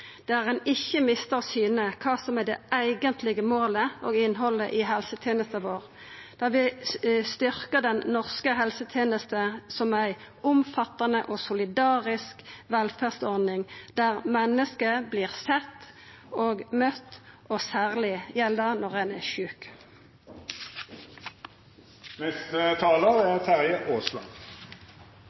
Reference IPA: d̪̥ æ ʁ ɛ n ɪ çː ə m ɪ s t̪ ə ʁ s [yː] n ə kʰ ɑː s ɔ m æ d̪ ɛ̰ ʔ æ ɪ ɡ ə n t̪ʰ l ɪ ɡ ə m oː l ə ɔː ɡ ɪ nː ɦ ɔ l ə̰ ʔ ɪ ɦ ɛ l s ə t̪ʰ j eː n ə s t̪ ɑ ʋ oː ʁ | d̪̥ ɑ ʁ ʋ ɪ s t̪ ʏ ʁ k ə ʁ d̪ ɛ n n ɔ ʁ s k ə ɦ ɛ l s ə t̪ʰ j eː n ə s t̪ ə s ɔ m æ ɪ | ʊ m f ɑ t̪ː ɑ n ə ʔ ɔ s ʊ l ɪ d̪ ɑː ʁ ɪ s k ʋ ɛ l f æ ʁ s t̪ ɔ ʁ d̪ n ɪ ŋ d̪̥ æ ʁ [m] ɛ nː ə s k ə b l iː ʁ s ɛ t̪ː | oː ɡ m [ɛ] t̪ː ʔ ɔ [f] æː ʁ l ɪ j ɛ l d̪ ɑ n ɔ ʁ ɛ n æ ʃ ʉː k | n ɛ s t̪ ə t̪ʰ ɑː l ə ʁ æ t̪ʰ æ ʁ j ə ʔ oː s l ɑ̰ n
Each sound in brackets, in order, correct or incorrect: correct, correct, incorrect: œ, incorrect: s

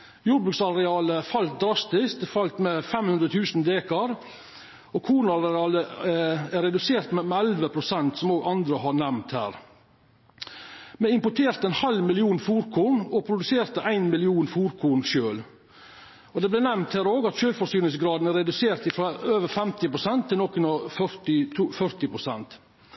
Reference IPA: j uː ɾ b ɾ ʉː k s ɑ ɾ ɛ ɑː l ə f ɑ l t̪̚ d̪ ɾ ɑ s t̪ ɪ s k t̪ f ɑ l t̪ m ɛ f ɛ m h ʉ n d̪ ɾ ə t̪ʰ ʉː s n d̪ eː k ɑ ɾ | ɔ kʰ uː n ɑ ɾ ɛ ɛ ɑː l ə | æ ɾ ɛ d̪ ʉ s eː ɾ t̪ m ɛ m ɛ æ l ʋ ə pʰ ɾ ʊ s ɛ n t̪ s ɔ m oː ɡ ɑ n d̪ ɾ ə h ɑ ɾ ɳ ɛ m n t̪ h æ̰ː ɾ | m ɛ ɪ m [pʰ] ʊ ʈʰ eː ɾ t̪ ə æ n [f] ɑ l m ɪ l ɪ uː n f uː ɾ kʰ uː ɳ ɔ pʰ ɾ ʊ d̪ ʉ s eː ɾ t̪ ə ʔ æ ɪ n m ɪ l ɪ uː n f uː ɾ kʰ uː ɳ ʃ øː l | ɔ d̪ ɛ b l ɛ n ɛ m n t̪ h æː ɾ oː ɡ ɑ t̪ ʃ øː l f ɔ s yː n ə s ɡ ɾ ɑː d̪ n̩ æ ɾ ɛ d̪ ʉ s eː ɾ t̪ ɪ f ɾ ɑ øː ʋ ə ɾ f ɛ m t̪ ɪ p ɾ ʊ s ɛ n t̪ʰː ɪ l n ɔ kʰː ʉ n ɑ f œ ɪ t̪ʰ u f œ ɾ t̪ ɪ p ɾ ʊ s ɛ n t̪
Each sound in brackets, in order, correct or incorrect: incorrect: p, incorrect: h

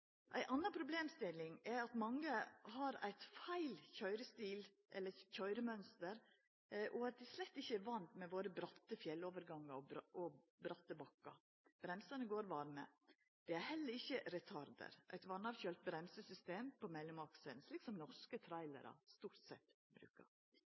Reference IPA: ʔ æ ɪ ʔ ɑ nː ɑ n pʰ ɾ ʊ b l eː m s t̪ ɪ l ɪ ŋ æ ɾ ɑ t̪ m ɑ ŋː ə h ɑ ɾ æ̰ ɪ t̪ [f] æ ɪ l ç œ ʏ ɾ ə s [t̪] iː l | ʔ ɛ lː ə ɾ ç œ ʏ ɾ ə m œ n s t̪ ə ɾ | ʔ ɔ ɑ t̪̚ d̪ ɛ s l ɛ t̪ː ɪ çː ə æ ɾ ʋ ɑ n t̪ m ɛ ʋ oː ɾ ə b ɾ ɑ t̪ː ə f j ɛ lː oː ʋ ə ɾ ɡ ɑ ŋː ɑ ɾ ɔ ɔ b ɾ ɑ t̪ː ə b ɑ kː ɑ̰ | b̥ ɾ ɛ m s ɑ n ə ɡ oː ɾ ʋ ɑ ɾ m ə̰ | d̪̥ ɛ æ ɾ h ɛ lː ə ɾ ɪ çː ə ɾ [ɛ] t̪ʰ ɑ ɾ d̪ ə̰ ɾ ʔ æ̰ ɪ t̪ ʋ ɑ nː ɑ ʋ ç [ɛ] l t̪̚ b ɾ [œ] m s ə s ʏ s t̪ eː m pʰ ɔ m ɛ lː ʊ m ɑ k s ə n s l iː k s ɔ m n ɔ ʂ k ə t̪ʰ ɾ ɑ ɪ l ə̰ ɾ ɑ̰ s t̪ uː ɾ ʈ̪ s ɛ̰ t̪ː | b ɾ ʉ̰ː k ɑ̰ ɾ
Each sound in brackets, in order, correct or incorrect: correct, correct, correct, incorrect: œ, incorrect: ɛ

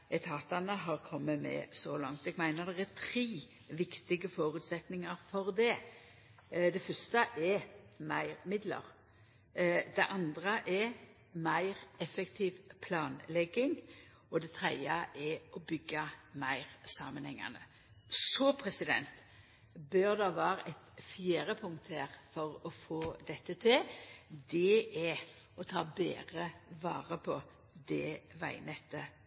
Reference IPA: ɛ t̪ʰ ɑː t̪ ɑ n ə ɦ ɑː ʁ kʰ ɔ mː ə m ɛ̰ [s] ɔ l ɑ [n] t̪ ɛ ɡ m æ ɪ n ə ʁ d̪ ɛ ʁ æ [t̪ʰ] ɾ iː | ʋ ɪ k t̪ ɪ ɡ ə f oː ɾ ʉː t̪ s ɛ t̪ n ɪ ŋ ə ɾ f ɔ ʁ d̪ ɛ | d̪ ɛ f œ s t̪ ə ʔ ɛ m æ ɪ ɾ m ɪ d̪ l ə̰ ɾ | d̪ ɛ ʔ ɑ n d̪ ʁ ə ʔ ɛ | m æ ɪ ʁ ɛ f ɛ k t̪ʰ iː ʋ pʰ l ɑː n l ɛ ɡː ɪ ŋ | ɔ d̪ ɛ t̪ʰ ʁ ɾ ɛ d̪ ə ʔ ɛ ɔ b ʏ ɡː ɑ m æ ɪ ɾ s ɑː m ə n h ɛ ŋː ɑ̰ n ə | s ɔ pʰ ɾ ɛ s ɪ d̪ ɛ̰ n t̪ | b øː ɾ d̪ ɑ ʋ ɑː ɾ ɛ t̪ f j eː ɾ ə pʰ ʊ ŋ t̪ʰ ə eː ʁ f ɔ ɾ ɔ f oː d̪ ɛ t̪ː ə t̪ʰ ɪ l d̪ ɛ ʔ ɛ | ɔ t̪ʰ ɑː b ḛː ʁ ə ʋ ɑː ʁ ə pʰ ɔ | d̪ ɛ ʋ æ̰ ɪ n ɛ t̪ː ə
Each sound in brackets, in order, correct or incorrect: correct, incorrect: ŋ, correct

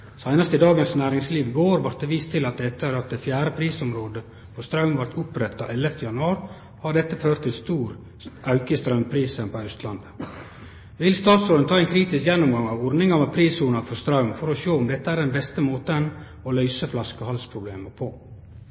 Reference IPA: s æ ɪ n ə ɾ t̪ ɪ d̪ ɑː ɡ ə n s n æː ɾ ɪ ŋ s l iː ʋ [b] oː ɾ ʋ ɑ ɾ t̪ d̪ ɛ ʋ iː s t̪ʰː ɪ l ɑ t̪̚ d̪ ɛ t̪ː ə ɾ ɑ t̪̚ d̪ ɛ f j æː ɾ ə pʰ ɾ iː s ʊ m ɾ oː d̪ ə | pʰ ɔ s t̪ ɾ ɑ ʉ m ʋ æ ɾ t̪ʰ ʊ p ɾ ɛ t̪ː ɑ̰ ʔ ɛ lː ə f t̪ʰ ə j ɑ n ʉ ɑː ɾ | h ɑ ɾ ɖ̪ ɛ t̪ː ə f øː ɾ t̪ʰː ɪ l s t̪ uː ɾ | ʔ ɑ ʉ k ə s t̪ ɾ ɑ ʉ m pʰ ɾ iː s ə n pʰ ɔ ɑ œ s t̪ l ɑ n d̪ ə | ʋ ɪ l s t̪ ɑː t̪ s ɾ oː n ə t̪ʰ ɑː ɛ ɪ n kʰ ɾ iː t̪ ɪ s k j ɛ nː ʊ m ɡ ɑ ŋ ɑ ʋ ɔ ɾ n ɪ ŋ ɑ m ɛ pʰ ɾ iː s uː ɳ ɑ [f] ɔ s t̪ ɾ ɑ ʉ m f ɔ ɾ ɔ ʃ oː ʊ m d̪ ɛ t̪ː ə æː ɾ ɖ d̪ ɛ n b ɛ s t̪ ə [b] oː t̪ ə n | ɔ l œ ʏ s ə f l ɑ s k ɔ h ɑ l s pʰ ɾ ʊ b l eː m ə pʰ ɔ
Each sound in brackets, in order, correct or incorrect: incorrect: ɡ, correct, incorrect: m

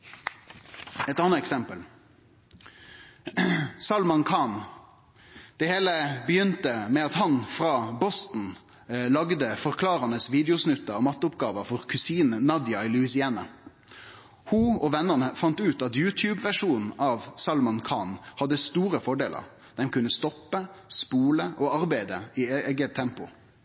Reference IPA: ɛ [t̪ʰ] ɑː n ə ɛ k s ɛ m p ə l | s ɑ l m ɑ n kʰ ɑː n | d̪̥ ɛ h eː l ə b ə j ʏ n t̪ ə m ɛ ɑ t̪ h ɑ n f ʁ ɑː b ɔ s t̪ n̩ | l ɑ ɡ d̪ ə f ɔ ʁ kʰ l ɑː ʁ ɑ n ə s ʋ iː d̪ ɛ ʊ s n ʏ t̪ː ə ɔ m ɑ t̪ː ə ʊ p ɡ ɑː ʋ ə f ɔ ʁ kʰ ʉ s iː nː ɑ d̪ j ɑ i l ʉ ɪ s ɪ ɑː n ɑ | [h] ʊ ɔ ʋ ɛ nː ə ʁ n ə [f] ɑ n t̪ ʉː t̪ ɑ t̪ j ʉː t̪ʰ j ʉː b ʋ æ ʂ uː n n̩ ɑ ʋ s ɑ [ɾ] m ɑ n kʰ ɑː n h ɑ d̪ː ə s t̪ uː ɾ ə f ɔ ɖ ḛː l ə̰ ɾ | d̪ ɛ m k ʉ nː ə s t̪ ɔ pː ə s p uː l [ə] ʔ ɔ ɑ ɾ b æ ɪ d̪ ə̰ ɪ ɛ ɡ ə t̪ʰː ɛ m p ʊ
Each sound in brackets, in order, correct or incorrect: incorrect: t̪, correct, correct, incorrect: l, correct

